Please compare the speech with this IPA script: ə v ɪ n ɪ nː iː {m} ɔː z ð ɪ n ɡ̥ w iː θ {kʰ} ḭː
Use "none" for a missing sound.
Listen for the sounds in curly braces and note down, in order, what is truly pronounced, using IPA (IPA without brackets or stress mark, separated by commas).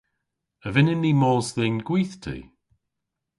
m, tʰ